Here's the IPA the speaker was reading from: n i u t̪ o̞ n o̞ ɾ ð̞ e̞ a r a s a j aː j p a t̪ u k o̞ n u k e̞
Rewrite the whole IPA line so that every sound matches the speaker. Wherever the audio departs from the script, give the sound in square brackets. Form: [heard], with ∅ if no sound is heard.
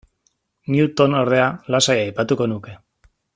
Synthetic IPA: n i u t̪ o̞ n o̞ ɾ ð̞ e̞ a [l] a s a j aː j p a t̪ u k o̞ n u k e̞